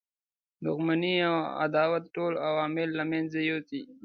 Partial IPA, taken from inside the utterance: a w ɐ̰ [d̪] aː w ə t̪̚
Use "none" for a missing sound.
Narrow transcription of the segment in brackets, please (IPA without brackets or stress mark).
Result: d̪